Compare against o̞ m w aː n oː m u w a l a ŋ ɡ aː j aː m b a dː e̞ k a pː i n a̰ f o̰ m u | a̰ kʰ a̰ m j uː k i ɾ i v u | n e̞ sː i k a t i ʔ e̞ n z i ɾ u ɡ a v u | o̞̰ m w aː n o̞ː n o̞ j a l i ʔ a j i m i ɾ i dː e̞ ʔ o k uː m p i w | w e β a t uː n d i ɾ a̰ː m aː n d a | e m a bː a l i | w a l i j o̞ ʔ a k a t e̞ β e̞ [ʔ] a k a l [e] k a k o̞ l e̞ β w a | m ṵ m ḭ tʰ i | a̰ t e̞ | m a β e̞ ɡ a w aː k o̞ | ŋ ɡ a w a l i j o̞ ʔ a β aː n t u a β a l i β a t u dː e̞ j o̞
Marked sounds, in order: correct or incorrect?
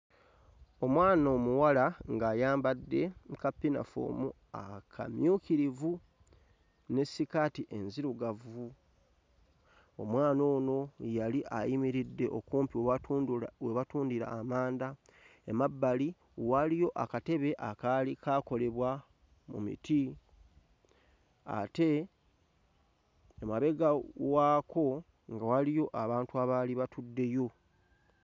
correct, incorrect: i

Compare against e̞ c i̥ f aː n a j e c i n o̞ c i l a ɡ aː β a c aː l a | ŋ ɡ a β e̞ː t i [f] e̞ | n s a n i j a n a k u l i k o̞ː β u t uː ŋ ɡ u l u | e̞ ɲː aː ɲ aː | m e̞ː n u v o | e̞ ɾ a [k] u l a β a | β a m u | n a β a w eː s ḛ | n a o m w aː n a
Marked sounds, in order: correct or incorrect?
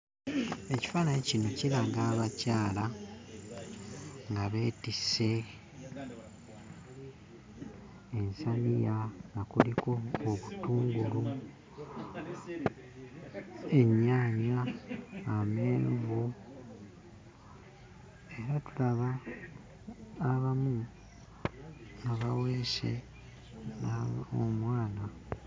incorrect: s, incorrect: t

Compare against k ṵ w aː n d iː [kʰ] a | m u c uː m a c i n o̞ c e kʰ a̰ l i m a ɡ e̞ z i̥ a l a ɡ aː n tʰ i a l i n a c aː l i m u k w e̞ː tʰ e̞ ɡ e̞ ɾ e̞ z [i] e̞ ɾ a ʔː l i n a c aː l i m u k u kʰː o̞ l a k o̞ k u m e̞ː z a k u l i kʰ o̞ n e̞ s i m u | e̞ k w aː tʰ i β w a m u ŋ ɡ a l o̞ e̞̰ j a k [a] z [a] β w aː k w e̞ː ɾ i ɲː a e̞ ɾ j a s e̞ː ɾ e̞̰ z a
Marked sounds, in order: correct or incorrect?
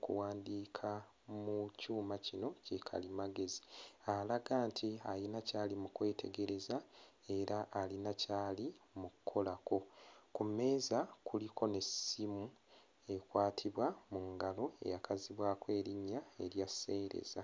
correct, incorrect: a, correct, incorrect: i

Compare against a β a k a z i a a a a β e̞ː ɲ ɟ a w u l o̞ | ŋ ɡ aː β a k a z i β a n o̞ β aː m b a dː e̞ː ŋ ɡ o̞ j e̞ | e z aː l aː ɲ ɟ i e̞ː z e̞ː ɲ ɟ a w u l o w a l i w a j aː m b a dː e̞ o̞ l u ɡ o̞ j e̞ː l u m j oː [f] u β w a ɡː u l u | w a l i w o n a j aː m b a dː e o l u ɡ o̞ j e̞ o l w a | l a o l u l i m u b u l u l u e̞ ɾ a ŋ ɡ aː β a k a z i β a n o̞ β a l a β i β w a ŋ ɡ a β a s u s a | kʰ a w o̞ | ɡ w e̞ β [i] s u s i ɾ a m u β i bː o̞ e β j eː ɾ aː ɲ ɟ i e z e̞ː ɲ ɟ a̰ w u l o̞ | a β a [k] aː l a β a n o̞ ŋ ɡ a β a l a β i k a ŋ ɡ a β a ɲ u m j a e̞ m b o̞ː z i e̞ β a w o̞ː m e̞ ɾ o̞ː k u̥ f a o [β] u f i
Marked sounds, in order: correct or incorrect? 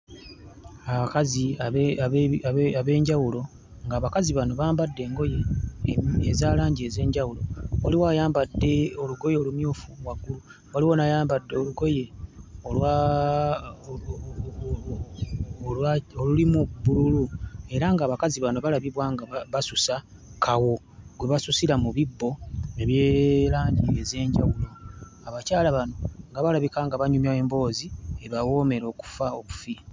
correct, incorrect: a, incorrect: c, correct

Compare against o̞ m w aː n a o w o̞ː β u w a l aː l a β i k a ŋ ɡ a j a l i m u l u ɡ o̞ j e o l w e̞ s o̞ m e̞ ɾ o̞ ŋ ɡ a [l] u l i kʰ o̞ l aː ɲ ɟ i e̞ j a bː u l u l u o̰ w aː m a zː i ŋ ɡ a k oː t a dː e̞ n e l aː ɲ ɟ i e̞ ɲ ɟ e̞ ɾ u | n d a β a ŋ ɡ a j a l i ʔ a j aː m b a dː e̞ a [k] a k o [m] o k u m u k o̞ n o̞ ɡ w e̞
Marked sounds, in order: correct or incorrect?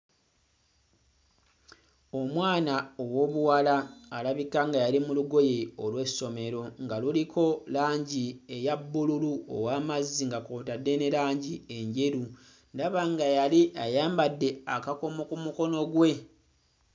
correct, correct, correct

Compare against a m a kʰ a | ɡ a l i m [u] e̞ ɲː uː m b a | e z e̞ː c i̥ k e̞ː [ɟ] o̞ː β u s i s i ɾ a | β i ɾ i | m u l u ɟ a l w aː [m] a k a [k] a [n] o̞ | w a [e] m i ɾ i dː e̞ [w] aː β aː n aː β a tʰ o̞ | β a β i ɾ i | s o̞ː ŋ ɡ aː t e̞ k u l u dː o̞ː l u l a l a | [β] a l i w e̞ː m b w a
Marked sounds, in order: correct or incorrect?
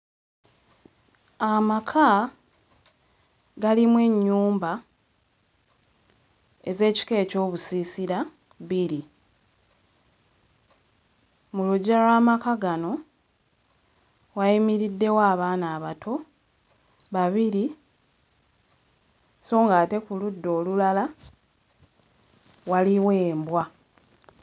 incorrect: w, incorrect: c, correct, incorrect: ɡ, correct, incorrect: i, correct, incorrect: w

